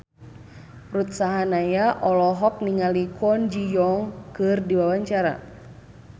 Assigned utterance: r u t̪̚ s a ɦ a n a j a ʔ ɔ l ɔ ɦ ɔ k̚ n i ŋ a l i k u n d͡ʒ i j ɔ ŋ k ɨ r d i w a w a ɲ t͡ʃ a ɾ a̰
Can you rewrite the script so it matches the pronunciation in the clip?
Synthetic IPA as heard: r u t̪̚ s a ɦ a n a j a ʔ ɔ l ɔ ɦ ɔ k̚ n i ŋ a l i k ɔ n d͡ʒ i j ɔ ŋ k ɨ r d i w a w a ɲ t͡ʃ a ɾ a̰